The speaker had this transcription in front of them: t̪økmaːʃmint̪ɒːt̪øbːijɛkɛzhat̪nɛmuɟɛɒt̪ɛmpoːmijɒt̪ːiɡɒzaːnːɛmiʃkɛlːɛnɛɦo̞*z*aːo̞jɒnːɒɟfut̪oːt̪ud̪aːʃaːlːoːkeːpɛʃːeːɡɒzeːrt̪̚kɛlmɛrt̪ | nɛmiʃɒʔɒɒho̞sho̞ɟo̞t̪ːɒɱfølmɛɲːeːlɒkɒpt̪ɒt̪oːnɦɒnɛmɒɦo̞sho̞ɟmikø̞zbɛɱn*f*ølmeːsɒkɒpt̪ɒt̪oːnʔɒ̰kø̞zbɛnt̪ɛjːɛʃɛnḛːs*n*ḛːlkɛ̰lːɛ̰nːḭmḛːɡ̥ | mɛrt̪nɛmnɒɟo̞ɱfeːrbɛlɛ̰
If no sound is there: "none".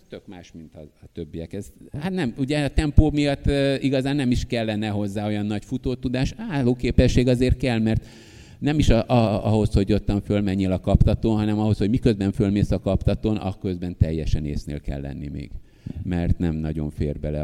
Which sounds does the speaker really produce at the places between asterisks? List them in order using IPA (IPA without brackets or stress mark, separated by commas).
zː, f, n